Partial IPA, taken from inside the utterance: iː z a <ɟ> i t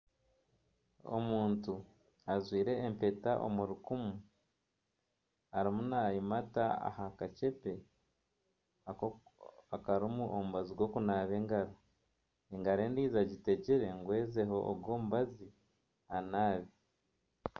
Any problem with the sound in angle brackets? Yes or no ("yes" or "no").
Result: no